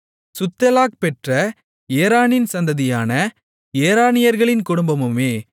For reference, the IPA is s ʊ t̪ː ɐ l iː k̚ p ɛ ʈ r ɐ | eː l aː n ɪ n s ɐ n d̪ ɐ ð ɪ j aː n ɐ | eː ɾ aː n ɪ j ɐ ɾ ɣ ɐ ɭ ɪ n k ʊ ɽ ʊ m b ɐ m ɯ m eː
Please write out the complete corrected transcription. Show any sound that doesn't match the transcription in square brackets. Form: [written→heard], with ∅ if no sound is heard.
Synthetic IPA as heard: s ʊ t̪ː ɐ l [iː→aː] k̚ p ɛ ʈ r ɐ | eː [l→ɾ] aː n ɪ n s ɐ n d̪ ɐ ð ɪ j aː n ɐ | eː ɾ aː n ɪ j ɐ ɾ ɣ ɐ ɭ ɪ n k ʊ ɽ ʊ m b ɐ m ɯ m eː